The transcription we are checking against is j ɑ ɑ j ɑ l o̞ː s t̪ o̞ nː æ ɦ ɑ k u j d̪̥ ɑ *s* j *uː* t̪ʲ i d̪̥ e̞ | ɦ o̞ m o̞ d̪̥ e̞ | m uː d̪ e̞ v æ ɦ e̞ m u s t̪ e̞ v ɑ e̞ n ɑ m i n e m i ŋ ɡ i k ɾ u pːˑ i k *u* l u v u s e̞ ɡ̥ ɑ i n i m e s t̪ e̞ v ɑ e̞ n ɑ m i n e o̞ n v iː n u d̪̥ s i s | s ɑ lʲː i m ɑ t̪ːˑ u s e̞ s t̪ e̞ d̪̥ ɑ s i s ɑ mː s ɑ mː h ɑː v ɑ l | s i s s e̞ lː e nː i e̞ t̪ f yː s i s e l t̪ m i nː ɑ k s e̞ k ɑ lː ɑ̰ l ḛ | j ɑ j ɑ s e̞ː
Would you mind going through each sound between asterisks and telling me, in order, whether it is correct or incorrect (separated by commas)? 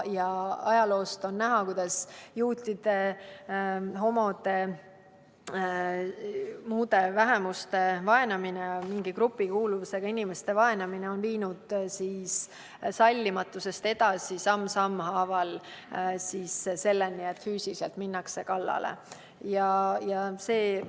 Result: correct, correct, incorrect